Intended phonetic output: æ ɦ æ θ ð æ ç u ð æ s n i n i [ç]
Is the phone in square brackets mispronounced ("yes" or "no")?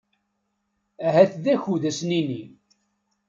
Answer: yes